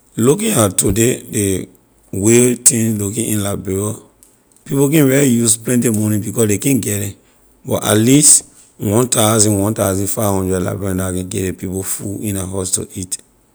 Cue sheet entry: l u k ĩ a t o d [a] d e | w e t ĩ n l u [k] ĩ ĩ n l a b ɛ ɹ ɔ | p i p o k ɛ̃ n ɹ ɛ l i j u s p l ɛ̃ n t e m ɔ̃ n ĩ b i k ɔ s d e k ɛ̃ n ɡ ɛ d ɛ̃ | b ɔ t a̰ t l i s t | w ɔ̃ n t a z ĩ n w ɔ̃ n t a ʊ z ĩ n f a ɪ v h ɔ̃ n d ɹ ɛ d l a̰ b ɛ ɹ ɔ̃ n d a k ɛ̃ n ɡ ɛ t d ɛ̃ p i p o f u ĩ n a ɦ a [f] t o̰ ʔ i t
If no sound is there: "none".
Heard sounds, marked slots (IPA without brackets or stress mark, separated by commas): e, k, s